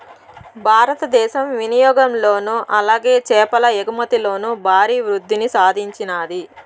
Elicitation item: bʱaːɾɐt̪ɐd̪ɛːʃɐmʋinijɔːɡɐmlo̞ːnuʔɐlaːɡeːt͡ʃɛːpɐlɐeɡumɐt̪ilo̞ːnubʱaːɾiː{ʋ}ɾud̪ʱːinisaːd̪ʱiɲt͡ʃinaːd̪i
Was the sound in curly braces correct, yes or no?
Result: yes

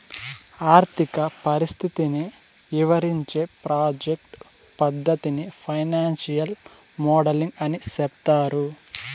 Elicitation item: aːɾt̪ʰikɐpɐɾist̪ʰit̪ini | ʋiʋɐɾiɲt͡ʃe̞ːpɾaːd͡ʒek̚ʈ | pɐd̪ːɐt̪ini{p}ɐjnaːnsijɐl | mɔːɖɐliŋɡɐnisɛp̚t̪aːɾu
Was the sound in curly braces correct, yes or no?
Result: no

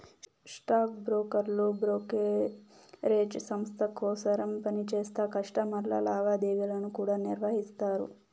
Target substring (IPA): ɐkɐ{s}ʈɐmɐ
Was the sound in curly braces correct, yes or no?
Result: no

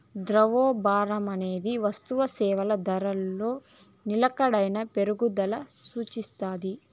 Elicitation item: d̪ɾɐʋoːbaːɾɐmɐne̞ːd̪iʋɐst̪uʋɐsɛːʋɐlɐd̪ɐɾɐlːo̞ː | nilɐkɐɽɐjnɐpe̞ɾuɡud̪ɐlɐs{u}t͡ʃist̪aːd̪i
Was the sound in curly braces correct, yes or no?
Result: no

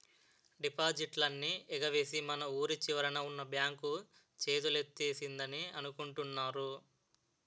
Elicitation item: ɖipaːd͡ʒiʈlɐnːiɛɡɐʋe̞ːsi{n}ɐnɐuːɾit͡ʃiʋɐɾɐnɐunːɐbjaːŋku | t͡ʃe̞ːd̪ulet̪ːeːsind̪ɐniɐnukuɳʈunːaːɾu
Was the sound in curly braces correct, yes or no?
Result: no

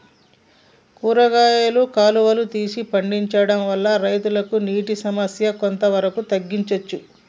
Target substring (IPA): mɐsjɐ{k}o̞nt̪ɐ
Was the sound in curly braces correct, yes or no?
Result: yes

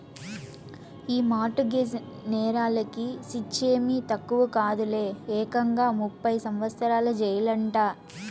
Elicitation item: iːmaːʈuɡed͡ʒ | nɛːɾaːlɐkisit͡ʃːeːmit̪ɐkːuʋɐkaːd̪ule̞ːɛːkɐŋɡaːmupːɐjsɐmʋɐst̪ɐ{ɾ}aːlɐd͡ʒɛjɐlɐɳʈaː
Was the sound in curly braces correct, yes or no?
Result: yes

